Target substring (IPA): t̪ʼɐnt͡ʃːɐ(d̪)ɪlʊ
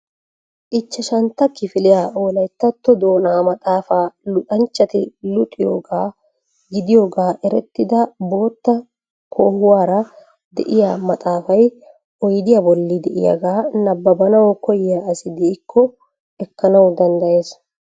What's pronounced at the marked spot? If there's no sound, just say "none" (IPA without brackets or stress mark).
t̪